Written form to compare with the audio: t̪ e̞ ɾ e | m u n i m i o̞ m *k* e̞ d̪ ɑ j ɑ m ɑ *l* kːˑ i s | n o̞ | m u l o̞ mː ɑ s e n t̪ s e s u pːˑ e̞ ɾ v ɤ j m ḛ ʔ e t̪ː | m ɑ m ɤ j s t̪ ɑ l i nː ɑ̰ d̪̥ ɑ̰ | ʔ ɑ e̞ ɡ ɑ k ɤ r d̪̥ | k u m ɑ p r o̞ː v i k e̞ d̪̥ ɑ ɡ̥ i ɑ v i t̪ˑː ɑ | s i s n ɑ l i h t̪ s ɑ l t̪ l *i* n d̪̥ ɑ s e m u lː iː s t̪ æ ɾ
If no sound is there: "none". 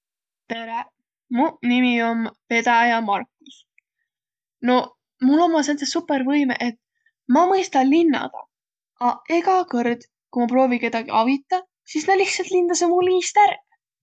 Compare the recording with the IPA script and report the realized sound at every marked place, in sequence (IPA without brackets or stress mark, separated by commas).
p, r, i